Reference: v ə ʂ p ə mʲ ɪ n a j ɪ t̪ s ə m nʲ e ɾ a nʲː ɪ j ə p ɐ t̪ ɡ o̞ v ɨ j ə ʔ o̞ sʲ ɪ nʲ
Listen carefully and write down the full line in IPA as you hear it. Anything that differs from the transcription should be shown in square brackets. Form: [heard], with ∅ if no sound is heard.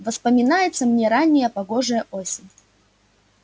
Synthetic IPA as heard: v ə [s] p ə mʲ ɪ n a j ɪ t̪ s ə m nʲ e ɾ a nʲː ɪ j ə p ɐ [∅] ɡ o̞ [ʐ] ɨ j ə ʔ o̞ sʲ ɪ nʲ